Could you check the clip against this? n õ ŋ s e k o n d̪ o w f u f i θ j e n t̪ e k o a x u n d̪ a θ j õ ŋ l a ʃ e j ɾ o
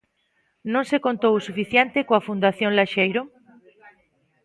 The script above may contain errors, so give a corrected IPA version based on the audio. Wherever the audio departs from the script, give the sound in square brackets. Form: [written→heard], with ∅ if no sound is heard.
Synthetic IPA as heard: n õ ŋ s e k o n [d̪→t̪] o w [f→s] u f i θ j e n t̪ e k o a [x→f] u n d̪ a θ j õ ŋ l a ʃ e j ɾ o